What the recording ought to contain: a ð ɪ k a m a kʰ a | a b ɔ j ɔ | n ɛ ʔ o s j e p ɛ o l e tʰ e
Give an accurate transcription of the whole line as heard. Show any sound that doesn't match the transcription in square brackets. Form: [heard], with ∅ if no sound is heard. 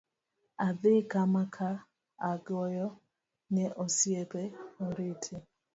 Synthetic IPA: a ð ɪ k a m a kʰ a | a [ɡ] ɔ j ɔ | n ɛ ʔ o s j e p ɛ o [ɾ] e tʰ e